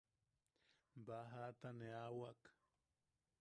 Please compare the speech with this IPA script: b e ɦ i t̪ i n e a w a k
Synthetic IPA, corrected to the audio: b a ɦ a t̪ a n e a w a k